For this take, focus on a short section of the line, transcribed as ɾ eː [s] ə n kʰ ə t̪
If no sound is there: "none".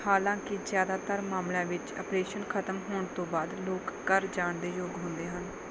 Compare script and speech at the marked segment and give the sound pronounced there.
ʃ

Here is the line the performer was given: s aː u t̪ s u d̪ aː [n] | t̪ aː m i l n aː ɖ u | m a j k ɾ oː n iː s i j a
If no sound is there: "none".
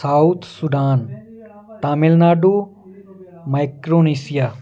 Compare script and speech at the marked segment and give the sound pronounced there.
n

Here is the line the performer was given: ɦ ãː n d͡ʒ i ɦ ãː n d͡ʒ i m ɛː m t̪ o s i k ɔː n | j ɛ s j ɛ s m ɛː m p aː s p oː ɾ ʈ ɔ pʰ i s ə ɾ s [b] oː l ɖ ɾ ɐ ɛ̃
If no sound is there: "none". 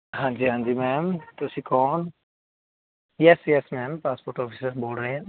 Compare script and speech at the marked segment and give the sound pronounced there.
b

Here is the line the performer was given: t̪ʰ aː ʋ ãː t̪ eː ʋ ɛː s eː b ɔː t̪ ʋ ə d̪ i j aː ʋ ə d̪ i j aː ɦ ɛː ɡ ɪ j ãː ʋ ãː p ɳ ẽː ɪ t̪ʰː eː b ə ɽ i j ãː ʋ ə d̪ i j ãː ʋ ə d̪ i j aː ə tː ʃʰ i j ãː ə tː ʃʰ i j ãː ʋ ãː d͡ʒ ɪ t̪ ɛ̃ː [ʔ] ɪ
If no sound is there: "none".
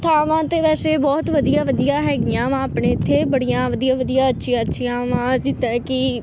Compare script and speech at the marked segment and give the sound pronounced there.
k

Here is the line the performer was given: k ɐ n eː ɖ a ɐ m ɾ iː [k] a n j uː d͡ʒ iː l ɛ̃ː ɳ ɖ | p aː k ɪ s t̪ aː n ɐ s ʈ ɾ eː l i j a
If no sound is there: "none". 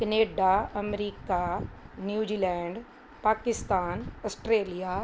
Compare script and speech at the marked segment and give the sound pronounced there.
k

